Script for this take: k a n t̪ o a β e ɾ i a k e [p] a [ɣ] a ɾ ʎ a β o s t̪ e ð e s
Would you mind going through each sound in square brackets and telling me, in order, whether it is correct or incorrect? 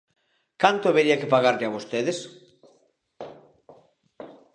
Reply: correct, correct

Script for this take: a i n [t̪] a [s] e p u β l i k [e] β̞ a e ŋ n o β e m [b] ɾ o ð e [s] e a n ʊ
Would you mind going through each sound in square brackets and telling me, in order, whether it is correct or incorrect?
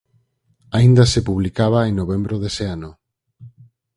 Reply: incorrect, correct, incorrect, correct, correct

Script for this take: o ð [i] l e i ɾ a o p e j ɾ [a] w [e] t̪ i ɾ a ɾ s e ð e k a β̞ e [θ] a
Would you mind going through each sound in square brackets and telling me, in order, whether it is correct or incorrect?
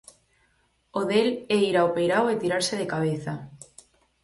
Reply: incorrect, correct, correct, correct

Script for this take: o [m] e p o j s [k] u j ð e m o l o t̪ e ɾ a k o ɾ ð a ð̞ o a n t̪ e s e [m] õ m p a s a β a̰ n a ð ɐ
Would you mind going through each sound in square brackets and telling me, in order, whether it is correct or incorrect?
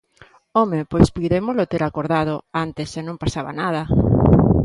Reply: correct, incorrect, incorrect

